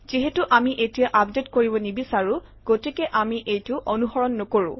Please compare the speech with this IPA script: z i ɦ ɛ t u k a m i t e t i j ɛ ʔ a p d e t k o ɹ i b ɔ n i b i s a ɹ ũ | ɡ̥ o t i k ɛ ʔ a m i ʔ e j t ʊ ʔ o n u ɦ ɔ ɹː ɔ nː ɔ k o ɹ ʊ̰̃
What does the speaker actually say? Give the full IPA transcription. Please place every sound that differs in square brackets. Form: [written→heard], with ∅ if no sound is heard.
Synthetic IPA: z i ɦ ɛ t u [k→ʔ] a m i [t→ʔ] e t i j [ɛ→a] ʔ a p d e t k o ɹ i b ɔ n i b i s a ɹ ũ | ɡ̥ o t i k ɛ ʔ a m i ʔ e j t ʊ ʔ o n u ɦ ɔ [ɹː→ɹ] ɔ nː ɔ k o ɹ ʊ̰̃